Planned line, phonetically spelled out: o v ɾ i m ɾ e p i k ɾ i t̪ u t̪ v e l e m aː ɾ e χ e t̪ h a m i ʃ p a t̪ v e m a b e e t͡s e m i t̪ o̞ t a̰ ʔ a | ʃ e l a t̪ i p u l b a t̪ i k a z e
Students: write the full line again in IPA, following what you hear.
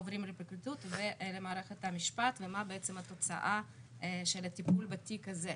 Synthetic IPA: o v ɾ i m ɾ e p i k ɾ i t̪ u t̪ v e l e m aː ɾ e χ e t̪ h a m i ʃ p a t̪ v e m a b e e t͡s e m a t̪ o̞ t͡s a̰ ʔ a | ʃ e l a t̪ i p u l b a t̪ i k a z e